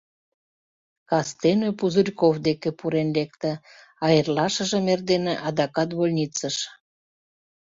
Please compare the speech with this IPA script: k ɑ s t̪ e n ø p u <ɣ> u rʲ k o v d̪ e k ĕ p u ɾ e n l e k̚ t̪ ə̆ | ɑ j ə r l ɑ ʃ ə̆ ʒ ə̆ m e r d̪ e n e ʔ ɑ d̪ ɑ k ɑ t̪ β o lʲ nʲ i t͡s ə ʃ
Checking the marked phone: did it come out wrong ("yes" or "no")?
yes